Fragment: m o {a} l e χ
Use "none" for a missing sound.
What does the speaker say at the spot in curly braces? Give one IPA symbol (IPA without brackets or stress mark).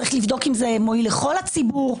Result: i